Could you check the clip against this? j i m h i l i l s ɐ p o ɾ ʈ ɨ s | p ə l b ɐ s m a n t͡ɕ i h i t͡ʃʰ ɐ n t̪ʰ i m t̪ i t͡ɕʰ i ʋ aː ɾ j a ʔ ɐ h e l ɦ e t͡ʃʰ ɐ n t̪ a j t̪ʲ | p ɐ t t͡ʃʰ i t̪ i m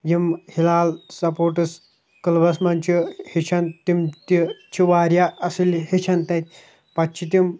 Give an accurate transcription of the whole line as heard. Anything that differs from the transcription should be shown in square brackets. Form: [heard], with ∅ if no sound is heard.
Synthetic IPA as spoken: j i m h i l [a] l s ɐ p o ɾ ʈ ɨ s | [k] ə l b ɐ s m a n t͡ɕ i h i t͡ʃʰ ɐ n [t̪] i m t̪ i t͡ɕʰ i ʋ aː ɾ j a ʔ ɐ [s] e l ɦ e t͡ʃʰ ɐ n t̪ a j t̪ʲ | p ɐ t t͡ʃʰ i t̪ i m